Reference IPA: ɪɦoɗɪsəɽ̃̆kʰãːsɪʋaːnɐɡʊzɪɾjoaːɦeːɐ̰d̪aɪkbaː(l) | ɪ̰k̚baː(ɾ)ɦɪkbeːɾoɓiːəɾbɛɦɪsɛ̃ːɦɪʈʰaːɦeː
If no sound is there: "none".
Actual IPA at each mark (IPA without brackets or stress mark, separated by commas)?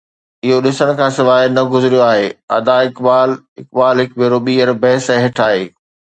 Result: l, l